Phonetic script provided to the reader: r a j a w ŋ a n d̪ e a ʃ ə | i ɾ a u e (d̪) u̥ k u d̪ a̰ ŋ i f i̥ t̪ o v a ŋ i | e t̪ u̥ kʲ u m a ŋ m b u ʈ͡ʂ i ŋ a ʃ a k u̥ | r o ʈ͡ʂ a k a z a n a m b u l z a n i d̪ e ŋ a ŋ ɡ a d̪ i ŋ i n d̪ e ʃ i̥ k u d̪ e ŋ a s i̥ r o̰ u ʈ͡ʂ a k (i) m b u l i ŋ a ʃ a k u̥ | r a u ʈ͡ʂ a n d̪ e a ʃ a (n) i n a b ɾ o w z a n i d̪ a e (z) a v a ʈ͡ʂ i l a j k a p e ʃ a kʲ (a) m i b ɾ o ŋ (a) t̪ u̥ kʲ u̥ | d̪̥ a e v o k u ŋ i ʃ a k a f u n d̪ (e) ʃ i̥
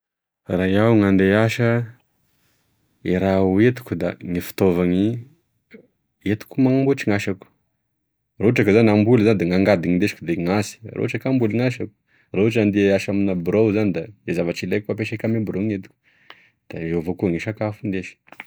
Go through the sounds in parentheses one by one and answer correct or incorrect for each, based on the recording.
incorrect, incorrect, incorrect, correct, correct, incorrect, correct

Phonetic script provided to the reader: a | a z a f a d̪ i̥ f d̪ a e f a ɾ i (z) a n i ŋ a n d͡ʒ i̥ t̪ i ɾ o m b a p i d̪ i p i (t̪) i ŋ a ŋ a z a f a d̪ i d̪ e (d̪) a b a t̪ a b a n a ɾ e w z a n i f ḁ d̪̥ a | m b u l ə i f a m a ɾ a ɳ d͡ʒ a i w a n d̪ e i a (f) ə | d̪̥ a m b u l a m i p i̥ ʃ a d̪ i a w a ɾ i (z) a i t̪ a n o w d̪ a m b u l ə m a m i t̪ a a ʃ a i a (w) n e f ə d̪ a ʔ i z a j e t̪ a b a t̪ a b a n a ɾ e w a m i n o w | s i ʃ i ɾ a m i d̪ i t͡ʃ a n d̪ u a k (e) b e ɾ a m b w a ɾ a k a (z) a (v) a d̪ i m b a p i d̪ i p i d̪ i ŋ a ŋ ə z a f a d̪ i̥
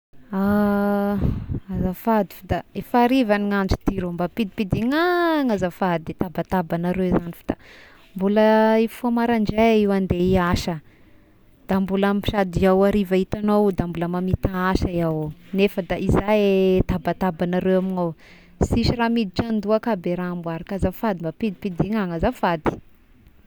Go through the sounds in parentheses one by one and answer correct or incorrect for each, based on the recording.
incorrect, incorrect, incorrect, incorrect, incorrect, correct, incorrect, correct, incorrect

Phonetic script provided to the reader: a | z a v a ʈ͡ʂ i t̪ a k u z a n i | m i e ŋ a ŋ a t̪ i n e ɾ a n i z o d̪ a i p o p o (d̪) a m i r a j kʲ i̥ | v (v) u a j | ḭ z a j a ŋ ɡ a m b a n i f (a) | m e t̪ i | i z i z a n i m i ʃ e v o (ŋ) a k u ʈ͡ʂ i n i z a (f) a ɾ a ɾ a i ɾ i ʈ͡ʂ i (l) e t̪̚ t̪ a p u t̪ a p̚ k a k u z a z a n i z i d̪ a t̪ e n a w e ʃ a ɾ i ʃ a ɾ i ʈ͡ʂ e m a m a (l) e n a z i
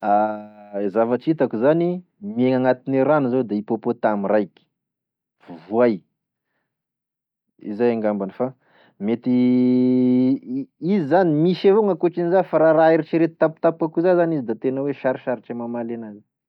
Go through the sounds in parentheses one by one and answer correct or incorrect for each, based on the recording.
incorrect, correct, correct, correct, correct, incorrect, correct

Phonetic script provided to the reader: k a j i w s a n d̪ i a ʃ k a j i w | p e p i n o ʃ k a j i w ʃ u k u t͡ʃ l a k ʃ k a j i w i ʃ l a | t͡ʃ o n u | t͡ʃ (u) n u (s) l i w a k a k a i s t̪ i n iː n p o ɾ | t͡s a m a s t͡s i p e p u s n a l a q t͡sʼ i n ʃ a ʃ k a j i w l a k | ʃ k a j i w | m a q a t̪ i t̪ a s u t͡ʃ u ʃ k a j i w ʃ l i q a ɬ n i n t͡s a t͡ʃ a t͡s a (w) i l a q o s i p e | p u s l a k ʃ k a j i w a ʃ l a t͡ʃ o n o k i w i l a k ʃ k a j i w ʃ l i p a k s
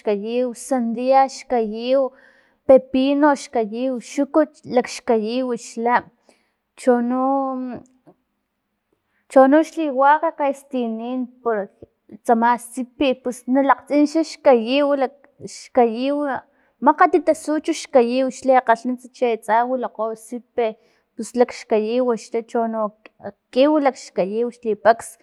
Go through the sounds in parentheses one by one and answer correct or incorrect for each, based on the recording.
incorrect, incorrect, correct

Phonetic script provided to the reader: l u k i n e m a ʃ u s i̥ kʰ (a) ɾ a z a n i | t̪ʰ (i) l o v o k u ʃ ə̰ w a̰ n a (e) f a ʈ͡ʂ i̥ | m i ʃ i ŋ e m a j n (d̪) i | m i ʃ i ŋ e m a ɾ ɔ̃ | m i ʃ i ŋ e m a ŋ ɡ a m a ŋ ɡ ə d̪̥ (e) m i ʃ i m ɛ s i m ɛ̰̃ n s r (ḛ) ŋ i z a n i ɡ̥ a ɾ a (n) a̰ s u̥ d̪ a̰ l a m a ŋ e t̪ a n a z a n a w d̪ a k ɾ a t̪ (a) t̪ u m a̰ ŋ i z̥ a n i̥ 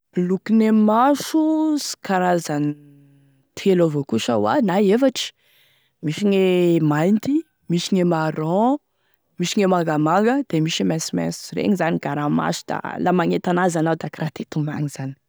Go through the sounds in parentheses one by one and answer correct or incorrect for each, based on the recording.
correct, incorrect, correct, incorrect, correct, correct, incorrect, incorrect

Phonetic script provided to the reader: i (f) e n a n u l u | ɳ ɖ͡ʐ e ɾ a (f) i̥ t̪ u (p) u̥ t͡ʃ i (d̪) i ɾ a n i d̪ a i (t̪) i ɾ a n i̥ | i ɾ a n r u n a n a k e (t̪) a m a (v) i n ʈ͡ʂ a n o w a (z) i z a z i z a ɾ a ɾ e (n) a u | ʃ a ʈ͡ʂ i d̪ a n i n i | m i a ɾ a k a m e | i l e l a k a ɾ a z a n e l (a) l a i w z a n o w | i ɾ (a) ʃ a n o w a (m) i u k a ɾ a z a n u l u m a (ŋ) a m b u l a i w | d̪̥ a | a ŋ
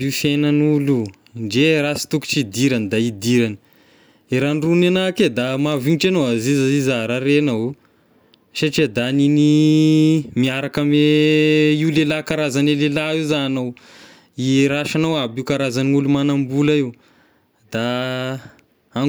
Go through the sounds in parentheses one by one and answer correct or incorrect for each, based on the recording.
correct, incorrect, incorrect, correct, incorrect, incorrect, correct, correct, correct, incorrect, correct, incorrect, incorrect

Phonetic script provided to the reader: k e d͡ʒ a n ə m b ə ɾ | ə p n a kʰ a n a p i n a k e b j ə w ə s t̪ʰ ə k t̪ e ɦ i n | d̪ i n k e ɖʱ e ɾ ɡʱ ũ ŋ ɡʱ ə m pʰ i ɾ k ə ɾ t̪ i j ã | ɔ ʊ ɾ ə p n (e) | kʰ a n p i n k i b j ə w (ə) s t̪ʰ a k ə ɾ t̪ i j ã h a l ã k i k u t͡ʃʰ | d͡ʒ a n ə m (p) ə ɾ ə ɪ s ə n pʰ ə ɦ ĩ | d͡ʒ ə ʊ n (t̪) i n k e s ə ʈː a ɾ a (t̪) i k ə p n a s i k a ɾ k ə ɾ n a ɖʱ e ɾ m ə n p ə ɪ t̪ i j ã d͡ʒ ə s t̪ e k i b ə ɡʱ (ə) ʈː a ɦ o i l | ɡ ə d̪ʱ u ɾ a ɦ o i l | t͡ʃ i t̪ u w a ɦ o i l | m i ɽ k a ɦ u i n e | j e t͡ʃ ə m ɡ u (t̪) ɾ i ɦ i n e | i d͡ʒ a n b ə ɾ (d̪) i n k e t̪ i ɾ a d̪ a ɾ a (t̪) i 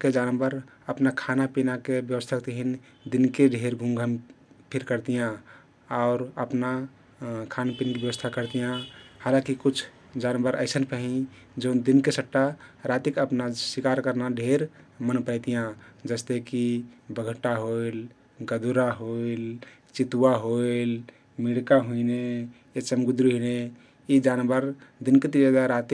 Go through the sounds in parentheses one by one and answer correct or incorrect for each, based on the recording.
incorrect, correct, incorrect, incorrect, correct, correct, incorrect, correct, correct

